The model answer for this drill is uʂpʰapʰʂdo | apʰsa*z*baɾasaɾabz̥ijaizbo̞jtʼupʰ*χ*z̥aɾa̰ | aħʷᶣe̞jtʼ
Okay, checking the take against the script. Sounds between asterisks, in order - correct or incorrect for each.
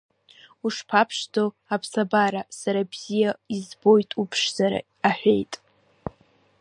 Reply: incorrect: none, incorrect: ʂ

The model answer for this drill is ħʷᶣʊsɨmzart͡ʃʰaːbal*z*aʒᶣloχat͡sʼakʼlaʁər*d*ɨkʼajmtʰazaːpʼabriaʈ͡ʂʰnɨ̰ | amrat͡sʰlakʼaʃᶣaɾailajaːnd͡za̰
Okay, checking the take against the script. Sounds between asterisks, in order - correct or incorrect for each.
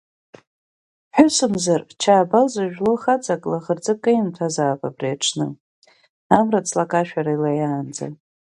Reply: correct, incorrect: d͡z

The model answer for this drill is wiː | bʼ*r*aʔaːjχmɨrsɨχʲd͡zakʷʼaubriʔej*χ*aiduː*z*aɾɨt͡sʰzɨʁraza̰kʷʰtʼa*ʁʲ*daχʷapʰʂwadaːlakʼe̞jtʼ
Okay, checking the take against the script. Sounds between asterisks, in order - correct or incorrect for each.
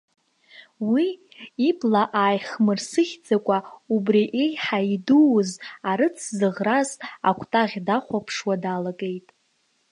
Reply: incorrect: l, incorrect: ħ, correct, correct

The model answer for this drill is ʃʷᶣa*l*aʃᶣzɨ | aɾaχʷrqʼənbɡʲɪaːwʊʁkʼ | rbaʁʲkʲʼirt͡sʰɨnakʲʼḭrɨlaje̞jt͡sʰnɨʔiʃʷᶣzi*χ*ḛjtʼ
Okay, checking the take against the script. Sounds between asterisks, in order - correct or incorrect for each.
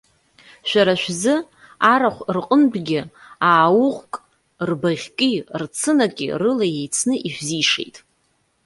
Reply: incorrect: ɾ, incorrect: ʂ

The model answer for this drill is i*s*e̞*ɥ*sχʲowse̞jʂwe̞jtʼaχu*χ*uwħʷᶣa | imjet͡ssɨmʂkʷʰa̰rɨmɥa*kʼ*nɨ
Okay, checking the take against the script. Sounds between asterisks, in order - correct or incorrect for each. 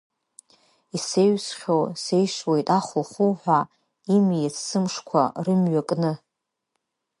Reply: correct, correct, correct, correct

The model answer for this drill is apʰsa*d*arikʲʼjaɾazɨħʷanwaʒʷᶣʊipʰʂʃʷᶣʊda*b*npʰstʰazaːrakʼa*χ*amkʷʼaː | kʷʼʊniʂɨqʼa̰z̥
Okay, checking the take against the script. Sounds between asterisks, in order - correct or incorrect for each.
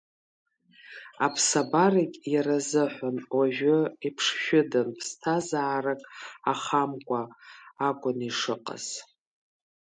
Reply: incorrect: b, incorrect: none, correct

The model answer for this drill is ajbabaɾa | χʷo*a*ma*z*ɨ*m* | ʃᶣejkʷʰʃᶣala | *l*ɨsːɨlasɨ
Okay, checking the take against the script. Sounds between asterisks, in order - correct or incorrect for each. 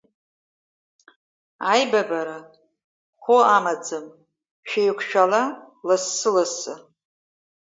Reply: correct, incorrect: d͡z, correct, correct

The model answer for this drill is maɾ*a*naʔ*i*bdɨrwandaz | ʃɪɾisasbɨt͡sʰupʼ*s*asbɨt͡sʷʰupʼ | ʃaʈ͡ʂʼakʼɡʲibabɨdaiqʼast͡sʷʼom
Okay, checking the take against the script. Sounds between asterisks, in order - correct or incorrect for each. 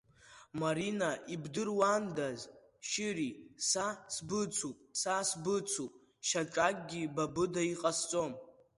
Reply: incorrect: i, correct, correct

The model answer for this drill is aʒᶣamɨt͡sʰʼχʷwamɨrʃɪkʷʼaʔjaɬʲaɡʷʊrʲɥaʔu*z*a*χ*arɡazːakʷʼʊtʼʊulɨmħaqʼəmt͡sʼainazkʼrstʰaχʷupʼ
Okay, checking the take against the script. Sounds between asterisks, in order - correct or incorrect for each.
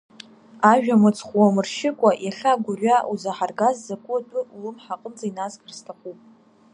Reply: correct, incorrect: ħ

